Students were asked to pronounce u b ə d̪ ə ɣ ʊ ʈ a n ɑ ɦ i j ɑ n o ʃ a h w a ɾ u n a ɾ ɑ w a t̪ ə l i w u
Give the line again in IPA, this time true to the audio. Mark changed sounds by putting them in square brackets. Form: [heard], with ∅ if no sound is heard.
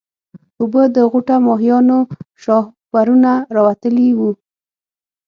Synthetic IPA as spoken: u b ə d̪ ə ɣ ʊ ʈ a [m] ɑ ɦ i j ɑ n o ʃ [ɑ] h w a ɾ u n a ɾ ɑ w a t̪ ə l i w u